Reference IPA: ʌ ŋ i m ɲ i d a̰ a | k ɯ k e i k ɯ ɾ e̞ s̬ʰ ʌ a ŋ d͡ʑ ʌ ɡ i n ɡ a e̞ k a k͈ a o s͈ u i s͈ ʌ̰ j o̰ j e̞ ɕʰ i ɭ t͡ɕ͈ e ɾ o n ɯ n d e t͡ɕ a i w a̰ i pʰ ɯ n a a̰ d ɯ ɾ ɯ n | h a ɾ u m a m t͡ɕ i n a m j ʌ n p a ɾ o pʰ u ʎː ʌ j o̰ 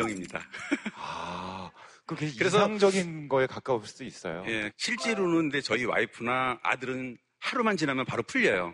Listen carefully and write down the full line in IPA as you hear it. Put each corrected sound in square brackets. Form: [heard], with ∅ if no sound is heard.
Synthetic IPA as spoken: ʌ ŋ i m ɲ i d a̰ a | k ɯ k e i k ɯ ɾ e̞ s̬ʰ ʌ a ŋ d͡ʑ ʌ ɡ i n ɡ [ʌ] e̞ k a k͈ a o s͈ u i s͈ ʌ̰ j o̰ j e̞ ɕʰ i ɭ t͡ɕ͈ e ɾ o n ɯ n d e t͡ɕ [ʌ] i w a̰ i pʰ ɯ n a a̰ d ɯ ɾ ɯ n | h a ɾ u m a [n] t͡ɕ i n a m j ʌ n p a ɾ o pʰ u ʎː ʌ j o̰